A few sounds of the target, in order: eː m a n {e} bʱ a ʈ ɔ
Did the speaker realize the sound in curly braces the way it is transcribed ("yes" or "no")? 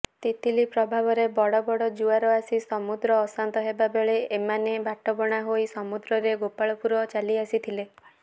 yes